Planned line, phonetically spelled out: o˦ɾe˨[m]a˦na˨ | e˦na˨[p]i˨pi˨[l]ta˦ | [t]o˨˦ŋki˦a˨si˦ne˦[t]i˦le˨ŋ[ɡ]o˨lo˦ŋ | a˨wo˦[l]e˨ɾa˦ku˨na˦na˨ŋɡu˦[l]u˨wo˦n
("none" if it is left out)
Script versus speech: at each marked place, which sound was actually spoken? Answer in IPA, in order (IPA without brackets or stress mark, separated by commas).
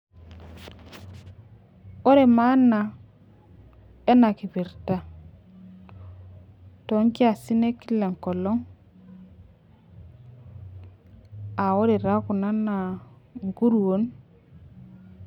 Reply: m, k, ɾ, t, k, k, ɾ, ɾ